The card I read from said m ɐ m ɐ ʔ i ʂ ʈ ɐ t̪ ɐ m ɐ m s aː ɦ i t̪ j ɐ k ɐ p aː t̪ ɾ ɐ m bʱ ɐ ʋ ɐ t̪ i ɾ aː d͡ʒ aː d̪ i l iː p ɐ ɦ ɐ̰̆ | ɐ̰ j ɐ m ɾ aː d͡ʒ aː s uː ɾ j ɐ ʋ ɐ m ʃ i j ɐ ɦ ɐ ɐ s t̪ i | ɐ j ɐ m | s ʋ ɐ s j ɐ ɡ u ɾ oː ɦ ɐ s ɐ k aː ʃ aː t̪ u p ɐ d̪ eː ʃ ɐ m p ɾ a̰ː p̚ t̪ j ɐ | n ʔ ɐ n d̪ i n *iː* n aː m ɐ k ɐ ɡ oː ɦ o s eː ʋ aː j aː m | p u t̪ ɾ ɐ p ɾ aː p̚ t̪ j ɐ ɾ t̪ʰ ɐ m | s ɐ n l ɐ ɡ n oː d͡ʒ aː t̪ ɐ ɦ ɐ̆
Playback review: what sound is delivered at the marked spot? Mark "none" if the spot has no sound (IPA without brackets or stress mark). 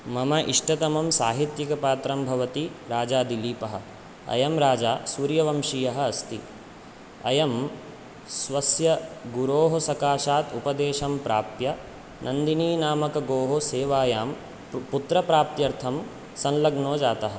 iː